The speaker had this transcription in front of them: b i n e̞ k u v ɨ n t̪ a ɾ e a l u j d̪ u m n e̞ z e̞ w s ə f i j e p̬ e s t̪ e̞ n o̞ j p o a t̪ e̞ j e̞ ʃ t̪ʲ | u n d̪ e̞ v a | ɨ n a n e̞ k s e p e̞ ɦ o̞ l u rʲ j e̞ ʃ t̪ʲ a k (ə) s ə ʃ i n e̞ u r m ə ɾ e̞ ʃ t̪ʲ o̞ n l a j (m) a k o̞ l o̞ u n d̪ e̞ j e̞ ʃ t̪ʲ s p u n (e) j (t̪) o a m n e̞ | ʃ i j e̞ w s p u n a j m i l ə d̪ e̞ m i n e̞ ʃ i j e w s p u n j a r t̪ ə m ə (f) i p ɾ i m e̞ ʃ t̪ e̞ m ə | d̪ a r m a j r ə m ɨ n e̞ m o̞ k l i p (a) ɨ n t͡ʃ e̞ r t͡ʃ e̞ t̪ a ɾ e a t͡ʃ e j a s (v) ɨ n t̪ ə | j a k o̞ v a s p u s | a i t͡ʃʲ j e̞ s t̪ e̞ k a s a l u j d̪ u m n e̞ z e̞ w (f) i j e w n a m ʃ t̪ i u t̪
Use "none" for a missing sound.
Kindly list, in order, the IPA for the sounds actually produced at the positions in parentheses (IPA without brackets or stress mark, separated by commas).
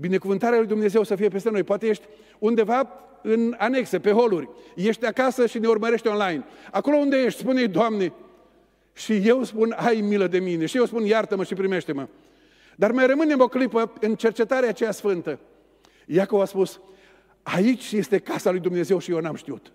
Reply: a, n, e, d̪, ʃ, ə, f, ʃ